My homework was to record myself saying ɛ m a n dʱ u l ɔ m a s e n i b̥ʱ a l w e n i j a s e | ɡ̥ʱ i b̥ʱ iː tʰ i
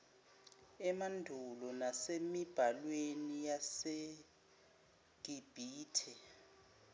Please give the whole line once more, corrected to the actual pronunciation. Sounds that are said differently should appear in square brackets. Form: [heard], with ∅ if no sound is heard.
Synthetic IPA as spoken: ɛ m a n dʱ u l ɔ [n] a s e [m] i b̥ʱ a l w e n i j a s e | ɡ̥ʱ i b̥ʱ iː tʰ [ɛ]